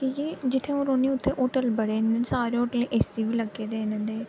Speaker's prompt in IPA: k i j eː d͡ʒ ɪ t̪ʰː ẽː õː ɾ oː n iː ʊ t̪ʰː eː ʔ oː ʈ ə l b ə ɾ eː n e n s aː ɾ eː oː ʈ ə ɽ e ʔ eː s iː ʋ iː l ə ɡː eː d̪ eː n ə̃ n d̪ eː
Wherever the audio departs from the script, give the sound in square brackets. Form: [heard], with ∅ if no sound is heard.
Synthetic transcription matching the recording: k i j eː d͡ʒ ɪ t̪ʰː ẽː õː ɾ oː n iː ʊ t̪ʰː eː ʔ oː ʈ ə l b ə [ɽ] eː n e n s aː ɾ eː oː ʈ ə [l] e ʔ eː s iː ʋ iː l ə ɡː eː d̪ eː n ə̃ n d̪ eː